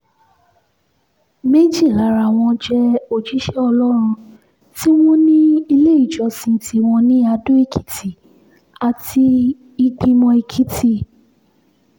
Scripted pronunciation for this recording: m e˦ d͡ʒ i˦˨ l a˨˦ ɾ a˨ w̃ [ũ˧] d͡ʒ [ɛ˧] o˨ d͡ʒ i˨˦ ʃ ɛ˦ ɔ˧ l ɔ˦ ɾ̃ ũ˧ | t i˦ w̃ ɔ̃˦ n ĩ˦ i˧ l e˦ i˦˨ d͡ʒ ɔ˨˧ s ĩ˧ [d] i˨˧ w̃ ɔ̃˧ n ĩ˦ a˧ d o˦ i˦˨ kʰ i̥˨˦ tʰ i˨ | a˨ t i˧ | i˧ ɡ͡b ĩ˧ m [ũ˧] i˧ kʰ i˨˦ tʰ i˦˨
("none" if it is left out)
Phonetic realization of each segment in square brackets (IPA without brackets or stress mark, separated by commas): ɔ̃˧, ɛ˧, t, ɔ̃˧